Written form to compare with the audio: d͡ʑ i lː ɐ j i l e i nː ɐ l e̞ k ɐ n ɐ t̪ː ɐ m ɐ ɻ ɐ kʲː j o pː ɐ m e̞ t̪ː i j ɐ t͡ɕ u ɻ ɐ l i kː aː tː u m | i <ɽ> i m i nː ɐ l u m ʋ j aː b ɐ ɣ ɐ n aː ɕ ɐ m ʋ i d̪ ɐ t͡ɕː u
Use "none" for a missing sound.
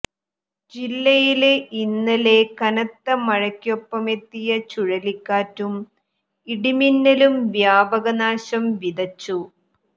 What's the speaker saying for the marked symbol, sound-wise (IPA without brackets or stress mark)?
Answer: ɽ